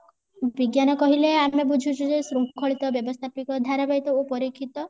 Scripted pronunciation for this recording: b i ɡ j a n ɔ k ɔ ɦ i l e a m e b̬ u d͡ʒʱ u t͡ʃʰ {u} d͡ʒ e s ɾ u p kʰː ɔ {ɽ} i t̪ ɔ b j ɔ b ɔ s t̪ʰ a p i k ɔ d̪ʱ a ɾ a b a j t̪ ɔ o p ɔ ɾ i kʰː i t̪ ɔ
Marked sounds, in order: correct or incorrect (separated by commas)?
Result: correct, incorrect